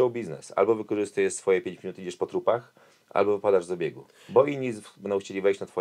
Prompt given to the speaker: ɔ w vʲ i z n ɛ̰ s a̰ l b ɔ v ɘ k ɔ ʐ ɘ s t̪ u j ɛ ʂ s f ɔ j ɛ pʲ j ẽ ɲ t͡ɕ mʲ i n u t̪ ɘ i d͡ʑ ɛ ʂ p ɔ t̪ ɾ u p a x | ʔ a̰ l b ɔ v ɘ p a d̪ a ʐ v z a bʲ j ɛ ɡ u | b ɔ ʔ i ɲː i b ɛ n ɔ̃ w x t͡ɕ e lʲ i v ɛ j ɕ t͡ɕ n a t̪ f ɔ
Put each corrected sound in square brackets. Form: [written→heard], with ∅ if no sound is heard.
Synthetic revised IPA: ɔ w [vʲ→bʲ] i z n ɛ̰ s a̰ l b ɔ v ɘ k ɔ ʐ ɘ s t̪ u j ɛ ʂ s f ɔ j ɛ pʲ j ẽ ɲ t͡ɕ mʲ i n u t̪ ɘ i d͡ʑ ɛ ʂ p ɔ t̪ ɾ u p a x | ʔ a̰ l b ɔ v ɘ p a d̪ a ʐ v z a bʲ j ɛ ɡ u | b ɔ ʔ i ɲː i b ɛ n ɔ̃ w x t͡ɕ e lʲ i v ɛ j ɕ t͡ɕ n a t̪ f ɔ